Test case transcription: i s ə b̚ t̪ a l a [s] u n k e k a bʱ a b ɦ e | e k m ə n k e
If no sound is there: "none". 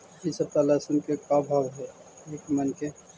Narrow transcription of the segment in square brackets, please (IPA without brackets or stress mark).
s